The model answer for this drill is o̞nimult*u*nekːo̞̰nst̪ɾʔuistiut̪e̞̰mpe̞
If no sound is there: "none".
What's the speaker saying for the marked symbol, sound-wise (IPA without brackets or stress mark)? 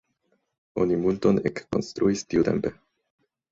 o